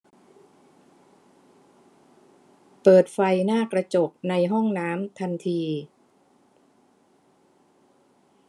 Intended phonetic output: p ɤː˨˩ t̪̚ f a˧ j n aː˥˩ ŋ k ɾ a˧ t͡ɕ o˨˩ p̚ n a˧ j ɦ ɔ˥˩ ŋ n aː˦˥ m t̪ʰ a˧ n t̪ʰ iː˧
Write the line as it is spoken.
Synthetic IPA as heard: p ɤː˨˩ t̪̚ f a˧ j n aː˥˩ k ɾ a˧ t͡ɕ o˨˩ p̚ n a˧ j ɦ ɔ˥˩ ŋ n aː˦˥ m t̪ʰ a˧ n t̪ʰ iː˧